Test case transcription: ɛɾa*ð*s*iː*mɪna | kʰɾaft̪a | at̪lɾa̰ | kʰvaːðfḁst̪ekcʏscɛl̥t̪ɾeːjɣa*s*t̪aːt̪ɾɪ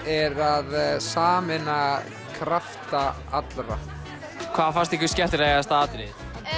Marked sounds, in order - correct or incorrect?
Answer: correct, incorrect: aː, correct

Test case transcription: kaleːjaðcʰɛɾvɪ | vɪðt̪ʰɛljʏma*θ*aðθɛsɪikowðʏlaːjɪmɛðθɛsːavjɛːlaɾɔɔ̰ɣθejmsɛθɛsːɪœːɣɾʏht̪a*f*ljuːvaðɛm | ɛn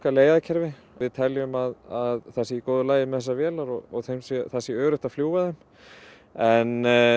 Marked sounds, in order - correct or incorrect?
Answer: incorrect: ð, correct

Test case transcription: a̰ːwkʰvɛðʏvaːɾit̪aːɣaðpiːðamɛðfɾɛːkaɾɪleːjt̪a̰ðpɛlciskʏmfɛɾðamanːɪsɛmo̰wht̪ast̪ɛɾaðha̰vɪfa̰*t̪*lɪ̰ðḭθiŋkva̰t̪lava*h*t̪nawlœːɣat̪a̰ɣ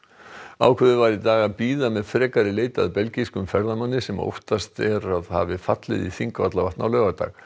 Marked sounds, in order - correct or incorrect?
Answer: correct, correct

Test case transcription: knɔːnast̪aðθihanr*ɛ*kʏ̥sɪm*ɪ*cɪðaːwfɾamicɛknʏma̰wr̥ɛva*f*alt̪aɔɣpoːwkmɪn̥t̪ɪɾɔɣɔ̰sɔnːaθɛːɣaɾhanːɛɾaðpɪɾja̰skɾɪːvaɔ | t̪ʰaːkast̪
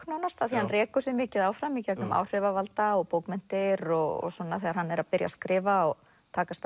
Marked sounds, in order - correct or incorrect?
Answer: incorrect: ɛː, incorrect: ɪː, incorrect: v

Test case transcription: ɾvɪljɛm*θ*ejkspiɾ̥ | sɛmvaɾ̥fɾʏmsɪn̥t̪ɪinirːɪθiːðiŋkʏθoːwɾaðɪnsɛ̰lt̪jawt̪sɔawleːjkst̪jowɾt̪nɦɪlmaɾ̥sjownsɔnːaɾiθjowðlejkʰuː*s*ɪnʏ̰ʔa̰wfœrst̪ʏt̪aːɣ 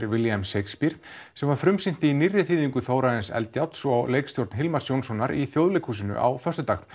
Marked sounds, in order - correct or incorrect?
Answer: incorrect: s, correct

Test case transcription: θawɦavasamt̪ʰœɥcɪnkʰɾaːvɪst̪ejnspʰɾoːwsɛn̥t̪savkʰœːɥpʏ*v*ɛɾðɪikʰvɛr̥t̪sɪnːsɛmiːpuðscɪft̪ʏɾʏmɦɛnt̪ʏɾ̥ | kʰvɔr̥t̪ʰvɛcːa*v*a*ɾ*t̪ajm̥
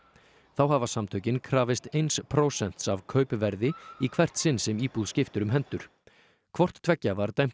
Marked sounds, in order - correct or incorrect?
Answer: correct, correct, correct

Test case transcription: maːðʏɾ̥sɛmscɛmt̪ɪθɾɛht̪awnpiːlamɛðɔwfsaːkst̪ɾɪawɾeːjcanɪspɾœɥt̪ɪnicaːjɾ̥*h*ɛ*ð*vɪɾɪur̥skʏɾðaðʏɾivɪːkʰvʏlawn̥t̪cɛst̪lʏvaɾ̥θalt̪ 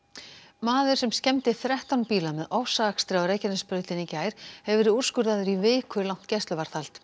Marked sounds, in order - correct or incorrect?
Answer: correct, incorrect: v

